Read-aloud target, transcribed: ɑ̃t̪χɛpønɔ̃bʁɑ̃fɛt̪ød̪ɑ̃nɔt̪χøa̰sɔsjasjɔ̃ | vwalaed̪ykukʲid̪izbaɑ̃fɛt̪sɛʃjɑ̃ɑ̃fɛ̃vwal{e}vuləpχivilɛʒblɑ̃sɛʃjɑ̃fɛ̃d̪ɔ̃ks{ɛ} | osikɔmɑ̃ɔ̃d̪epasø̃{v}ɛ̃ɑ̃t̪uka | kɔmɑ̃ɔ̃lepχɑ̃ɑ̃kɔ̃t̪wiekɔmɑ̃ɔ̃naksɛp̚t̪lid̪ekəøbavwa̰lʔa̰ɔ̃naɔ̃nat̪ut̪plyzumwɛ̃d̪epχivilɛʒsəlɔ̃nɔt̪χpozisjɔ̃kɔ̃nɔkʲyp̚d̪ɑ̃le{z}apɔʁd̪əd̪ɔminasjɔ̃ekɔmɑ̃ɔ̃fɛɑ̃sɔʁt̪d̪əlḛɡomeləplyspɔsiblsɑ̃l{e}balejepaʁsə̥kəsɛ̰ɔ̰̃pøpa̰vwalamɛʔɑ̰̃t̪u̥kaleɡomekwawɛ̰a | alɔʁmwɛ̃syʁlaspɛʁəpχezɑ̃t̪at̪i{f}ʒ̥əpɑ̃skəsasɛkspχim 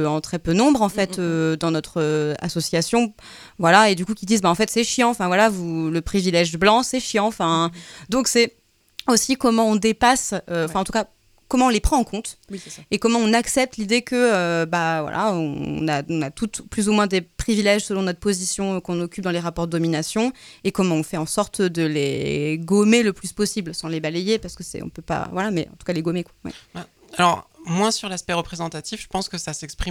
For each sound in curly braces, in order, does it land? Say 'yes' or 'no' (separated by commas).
no, yes, no, no, yes, yes